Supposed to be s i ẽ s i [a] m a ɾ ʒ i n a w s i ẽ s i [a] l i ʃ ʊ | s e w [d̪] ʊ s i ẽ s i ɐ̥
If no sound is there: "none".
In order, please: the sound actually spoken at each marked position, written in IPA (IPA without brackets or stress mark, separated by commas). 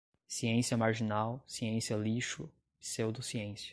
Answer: ɐ, ɐ, d̪